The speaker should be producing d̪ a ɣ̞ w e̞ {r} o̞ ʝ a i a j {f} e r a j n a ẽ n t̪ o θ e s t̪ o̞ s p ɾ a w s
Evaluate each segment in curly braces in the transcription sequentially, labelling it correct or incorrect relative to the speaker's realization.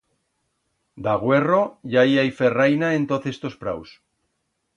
correct, correct

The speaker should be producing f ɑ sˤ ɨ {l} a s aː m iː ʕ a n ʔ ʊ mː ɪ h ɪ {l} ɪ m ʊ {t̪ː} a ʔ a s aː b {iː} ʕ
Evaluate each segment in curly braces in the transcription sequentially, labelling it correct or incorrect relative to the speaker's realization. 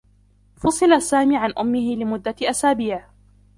correct, correct, incorrect, correct

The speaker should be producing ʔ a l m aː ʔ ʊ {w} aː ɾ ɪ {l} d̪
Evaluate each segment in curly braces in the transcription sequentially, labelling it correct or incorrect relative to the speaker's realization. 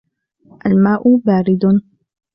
incorrect, incorrect

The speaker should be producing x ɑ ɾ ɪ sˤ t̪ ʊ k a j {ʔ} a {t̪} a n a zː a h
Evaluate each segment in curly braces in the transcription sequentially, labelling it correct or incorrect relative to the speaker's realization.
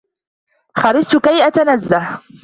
correct, correct

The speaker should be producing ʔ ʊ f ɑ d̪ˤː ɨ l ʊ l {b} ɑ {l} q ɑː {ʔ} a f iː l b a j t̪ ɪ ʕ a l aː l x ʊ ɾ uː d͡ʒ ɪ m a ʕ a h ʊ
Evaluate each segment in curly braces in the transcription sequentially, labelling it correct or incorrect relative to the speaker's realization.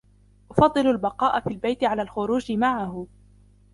correct, incorrect, correct

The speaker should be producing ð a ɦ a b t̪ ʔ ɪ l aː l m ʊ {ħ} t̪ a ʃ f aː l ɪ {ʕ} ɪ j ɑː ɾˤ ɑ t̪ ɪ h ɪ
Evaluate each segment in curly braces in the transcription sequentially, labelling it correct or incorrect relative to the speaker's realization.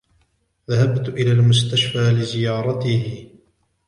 incorrect, incorrect

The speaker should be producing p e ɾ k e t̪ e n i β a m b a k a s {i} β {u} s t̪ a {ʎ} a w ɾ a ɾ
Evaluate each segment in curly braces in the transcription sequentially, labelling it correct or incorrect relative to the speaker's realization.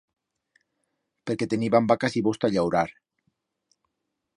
correct, incorrect, correct

